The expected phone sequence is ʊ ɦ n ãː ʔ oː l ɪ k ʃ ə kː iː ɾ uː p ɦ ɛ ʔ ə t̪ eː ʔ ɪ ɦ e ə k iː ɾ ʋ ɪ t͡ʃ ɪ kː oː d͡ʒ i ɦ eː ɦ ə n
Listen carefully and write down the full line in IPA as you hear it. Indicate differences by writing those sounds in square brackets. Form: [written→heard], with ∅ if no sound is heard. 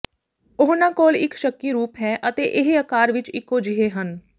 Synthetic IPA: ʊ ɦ n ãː [ʔ→k] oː l ɪ k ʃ ə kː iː ɾ uː p ɦ [ɛ→ɛː] ʔ ə t̪ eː ʔ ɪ ɦ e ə k [iː→aː] ɾ ʋ ɪ t͡ʃ ɪ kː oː d͡ʒ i ɦ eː ɦ ə n